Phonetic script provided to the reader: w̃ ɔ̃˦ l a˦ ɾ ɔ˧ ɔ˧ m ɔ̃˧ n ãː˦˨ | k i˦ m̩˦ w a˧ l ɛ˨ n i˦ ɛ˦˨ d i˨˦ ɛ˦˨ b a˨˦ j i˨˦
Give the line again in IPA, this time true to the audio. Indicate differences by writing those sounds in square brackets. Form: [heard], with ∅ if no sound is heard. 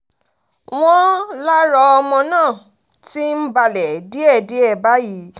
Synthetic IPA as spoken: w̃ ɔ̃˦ l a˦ ɾ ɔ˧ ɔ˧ m ɔ̃˧ n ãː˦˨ | [t] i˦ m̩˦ [b] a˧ l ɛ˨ [d] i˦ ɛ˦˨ d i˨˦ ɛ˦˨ b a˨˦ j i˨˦